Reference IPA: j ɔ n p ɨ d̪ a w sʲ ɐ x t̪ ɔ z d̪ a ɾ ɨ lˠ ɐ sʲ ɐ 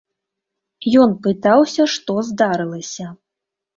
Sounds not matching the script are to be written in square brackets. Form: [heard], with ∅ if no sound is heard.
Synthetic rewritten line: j ɔ n p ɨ [t̪] a w sʲ ɐ [ʂ] t̪ ɔ z d̪ a ɾ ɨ lˠ ɐ sʲ ɐ